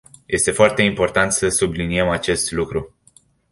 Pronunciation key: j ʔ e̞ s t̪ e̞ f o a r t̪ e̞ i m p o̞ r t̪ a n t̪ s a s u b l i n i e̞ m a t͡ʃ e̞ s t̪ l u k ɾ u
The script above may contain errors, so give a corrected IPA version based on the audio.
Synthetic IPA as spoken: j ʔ e̞ s t̪ e̞ f o a r t̪ e̞ i m p o̞ r t̪ a n t̪ s ə s u b l i n i e̞ m a t͡ʃ e̞ s t̪ l u k ɾ u